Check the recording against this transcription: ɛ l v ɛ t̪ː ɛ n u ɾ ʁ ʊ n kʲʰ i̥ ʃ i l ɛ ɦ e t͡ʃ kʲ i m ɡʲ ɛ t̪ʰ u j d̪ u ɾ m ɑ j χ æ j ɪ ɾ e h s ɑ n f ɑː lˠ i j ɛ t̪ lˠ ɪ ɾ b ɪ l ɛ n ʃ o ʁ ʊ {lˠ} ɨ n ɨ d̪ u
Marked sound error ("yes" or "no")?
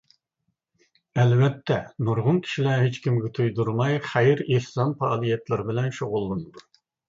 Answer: yes